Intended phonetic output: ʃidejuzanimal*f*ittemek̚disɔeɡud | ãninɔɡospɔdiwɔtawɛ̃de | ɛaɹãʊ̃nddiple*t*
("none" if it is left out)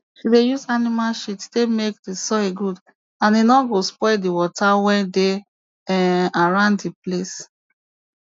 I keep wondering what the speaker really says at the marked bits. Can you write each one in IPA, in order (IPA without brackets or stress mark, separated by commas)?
ʃ, s